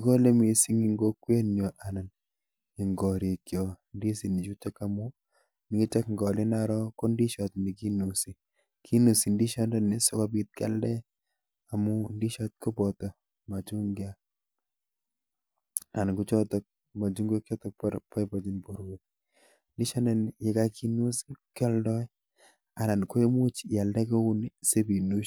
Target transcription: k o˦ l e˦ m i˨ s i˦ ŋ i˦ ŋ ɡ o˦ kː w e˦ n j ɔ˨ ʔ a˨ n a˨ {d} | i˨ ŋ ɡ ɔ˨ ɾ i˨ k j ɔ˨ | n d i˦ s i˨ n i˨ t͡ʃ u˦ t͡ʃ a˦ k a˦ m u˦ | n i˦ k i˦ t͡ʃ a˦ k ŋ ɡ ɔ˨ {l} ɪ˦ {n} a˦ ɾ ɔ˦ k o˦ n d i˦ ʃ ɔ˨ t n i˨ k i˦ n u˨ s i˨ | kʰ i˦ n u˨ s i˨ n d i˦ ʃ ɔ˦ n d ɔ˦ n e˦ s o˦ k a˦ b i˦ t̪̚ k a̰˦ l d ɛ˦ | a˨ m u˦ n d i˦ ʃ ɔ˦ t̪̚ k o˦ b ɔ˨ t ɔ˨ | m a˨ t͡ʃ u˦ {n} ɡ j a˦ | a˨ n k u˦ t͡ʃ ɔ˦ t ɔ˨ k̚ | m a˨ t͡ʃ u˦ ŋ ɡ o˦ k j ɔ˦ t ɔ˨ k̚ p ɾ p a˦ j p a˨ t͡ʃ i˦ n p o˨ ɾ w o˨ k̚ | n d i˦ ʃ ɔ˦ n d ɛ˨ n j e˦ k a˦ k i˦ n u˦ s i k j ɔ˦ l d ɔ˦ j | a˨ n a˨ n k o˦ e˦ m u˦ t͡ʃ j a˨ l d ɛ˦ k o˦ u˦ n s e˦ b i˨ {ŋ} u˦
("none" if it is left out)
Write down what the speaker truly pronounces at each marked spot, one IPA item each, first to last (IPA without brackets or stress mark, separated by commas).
n, l, n, ŋ, n